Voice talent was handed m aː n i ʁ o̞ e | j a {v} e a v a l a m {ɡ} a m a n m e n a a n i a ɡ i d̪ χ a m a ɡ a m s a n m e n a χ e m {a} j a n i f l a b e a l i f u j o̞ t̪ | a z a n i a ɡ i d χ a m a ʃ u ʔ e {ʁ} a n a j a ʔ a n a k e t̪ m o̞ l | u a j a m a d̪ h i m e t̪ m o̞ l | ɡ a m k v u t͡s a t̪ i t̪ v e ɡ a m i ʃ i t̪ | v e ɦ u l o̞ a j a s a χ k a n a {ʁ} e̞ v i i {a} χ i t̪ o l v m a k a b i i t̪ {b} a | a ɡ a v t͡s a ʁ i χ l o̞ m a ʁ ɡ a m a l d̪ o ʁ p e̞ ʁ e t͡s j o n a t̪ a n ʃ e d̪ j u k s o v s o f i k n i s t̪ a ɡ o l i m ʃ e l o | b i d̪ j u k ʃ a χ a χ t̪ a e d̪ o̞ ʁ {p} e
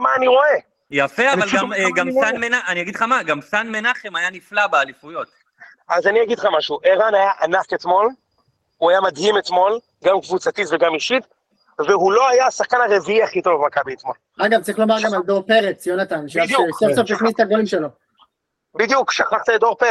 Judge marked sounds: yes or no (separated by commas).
no, yes, yes, yes, yes, yes, no, yes